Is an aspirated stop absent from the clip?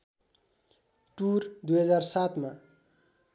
yes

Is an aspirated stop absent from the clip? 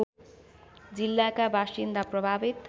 yes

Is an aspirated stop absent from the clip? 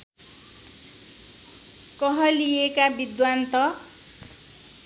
yes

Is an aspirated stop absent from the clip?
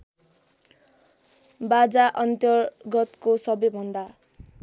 yes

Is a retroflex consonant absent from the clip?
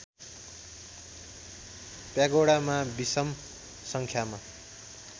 no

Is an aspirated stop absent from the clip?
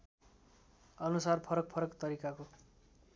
no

